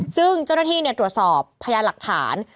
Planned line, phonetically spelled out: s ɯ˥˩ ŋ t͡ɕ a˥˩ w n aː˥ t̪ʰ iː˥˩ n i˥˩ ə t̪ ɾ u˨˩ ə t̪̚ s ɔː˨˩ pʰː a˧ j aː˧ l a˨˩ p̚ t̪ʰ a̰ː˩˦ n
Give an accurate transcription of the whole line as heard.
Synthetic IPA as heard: s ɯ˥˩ ŋ t͡ɕ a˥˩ w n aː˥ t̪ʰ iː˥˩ n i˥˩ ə t̪ ɾ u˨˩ ə t̪̚ s ɔː˨˩ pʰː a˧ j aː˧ l a˨˩ k̚ t̪ʰ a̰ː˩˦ n

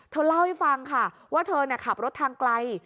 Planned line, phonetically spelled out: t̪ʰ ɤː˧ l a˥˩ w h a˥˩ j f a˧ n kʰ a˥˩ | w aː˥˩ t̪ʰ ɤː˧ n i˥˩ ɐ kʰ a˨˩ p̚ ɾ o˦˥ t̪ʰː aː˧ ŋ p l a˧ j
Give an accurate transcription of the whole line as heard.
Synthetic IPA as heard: t̪ʰ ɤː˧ l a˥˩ w h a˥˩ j f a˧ ŋ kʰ a˥˩ | w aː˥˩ t̪ʰ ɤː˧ n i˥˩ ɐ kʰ a˨˩ p̚ ɾ o˦˥ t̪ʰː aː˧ ŋ k l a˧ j

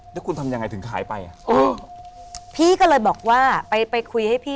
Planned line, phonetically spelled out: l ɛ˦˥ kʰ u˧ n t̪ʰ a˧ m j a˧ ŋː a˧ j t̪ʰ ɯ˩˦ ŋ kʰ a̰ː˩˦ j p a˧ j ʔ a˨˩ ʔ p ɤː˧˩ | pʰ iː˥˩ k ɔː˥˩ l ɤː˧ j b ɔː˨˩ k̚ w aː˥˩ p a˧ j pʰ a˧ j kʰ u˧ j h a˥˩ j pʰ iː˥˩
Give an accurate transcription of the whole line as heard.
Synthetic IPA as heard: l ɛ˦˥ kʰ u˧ n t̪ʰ a˧ m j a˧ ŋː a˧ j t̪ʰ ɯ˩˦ ŋ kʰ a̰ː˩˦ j p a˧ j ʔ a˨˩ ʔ ʔ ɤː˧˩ | pʰ iː˥˩ k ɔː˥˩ l ɤː˧ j b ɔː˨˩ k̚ w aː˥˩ p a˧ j p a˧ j kʰ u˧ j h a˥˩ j pʰ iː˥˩

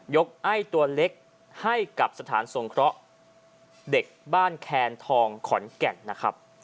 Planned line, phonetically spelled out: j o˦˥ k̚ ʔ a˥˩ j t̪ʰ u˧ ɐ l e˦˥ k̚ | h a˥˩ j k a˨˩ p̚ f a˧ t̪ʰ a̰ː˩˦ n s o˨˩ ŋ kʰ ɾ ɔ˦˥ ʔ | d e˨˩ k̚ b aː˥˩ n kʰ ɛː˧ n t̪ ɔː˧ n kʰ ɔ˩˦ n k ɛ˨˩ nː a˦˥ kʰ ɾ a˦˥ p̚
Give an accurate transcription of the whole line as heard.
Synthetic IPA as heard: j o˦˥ k̚ ʔ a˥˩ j t̪ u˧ ɐ l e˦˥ k̚ | h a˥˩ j k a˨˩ p̚ s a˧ t̪ʰ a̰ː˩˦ n s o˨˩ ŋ kʰ ɾ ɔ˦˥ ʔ | d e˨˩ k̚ b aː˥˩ n kʰ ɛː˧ n t̪ʰ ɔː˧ ŋ kʰ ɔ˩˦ n k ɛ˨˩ nː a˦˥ kʰ ɾ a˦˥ p̚

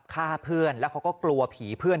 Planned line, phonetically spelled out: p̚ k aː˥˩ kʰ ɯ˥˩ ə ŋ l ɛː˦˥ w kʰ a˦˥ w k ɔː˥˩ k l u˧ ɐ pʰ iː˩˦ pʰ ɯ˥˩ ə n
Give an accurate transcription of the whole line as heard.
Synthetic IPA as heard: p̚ kʰ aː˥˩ pʰ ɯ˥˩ ə n l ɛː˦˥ w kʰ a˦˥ w k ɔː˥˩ k l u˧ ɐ pʰ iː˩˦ pʰ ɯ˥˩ ə n

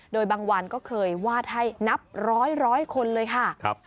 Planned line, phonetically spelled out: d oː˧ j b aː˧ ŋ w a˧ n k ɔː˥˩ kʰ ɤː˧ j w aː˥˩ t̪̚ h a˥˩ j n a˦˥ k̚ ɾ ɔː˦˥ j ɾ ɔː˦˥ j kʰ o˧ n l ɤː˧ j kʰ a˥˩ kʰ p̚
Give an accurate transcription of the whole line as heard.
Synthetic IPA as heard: d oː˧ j b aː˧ ŋ w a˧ n k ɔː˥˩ kʰ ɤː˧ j w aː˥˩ t̪̚ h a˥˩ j n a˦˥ p̚ ɾ ɔː˦˥ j ɾ ɔː˦˥ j kʰ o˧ n l ɤː˧ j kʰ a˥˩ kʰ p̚

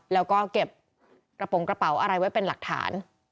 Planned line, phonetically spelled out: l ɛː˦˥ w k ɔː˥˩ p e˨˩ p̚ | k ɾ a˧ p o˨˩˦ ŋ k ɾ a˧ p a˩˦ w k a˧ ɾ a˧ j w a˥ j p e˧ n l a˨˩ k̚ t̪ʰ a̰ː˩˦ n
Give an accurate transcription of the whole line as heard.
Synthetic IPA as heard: l ɛː˦˥ w k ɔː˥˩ k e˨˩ p̚ | k ɾ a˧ p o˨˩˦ ŋ k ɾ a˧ p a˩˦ w ʔ a˧ ɾ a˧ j w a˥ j p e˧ n l a˨˩ k̚ t̪ʰ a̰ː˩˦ n

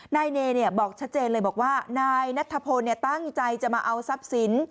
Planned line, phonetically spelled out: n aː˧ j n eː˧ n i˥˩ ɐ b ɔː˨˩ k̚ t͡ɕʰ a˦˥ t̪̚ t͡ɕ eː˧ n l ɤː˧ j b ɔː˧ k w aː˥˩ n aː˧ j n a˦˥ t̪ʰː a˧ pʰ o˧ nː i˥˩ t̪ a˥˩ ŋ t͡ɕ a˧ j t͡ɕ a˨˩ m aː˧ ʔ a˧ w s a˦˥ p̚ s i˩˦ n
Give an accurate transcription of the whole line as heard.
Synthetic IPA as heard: n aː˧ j n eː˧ n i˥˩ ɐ b ɔː˨˩ k̚ t͡ɕʰ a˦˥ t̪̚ t͡ɕ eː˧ n l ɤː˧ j b ɔː˨˩ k w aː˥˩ n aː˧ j n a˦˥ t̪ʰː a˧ pʰ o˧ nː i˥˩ t̪ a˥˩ ŋ t͡ɕ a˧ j t͡ɕ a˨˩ m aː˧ ʔ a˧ w s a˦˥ p̚ s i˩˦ n

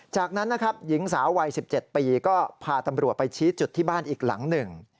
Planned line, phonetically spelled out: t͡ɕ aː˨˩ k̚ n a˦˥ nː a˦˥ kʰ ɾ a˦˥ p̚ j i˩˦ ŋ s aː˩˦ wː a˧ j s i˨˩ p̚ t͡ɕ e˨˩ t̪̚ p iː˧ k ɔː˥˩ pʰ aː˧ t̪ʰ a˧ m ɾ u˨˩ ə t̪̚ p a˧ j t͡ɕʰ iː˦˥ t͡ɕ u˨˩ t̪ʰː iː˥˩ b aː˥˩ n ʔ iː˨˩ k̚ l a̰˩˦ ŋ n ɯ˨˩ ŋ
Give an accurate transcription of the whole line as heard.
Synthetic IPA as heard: t͡ɕ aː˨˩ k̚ n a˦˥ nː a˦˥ kʰ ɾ a˦˥ p̚ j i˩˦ ŋ s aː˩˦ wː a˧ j s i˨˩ p̚ t͡ɕ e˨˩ t̪̚ p iː˧ k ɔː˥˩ pʰ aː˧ t̪ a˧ m ɾ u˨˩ ə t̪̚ p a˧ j t͡ɕʰ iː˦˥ t͡ɕ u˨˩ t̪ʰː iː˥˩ b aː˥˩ n ʔ iː˨˩ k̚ l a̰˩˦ ŋ n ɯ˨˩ ŋ

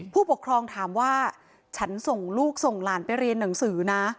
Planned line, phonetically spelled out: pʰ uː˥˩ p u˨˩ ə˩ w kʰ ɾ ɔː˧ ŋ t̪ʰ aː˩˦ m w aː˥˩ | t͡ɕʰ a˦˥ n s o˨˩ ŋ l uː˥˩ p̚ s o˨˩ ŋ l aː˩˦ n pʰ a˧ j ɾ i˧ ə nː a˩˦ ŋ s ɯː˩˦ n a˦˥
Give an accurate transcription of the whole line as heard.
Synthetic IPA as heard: pʰ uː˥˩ p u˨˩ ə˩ kʰ ɾ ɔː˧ ŋ t̪ʰ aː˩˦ m w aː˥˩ | t͡ɕʰ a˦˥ n s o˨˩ ŋ l uː˥˩ k̚ s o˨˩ ŋ l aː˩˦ n p a˧ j ɾ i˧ ə nː a˩˦ ŋ s ɯː˩˦ n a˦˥

